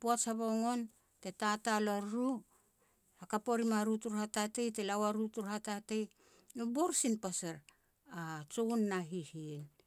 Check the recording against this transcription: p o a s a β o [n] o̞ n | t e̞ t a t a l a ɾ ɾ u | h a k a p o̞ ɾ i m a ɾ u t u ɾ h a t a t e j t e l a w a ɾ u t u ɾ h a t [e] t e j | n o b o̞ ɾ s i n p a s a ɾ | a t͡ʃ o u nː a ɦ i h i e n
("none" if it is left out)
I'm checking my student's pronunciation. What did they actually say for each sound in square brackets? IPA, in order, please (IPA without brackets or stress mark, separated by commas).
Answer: ŋ, a